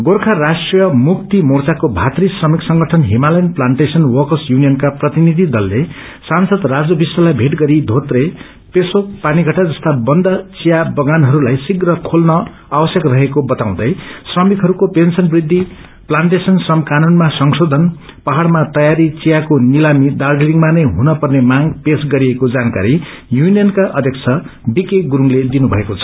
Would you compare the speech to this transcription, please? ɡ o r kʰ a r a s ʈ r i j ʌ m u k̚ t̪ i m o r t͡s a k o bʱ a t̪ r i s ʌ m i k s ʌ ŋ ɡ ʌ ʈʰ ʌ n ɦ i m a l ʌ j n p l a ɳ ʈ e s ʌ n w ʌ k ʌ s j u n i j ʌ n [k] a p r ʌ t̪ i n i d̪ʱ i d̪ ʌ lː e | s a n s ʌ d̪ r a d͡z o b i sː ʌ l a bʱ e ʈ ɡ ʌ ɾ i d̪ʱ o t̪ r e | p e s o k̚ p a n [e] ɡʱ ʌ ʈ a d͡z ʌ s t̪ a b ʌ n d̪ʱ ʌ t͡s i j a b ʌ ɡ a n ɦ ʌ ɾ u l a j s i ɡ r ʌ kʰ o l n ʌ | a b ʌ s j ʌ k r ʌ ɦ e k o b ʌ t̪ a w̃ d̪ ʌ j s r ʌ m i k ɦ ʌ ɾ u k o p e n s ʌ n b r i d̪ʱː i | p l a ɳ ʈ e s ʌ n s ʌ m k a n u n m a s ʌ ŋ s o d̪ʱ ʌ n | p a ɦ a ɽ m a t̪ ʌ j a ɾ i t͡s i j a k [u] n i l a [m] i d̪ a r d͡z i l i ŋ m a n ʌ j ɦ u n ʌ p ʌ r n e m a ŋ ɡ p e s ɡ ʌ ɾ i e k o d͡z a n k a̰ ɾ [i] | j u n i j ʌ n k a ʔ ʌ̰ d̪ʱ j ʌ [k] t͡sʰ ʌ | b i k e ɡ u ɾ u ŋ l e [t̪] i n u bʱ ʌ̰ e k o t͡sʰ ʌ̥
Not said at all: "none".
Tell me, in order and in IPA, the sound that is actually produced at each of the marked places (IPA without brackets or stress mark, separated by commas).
k, i, o, m, i, k, d̪